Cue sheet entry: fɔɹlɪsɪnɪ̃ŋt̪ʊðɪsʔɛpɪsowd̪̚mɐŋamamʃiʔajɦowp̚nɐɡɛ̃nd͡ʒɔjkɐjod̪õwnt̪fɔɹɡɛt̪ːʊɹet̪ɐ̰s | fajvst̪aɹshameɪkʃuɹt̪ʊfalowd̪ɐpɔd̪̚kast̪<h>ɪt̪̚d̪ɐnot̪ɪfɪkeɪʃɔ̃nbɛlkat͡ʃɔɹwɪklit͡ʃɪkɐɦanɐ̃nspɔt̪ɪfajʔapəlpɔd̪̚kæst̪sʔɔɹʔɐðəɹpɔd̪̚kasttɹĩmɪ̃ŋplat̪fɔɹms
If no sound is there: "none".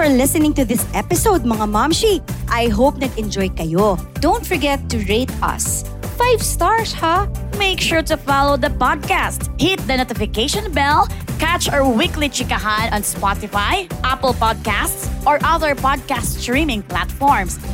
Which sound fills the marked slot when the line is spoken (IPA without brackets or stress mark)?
h